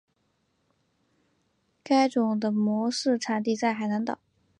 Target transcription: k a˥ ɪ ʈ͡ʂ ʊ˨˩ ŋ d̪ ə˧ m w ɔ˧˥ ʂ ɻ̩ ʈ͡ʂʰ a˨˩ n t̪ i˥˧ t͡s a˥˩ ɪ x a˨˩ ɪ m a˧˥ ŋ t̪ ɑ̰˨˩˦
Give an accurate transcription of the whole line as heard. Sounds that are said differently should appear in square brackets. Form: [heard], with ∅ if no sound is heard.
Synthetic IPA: k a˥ ɪ ʈ͡ʂ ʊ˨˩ ŋ d̪ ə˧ m w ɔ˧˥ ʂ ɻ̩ ʈ͡ʂʰ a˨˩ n t̪ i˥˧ t͡s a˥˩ ɪ x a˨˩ ɪ [n] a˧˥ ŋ t̪ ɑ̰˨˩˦